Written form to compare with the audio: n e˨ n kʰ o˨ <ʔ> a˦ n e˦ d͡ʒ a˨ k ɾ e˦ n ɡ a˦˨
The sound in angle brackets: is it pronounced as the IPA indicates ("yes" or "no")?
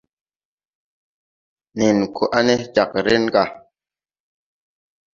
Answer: yes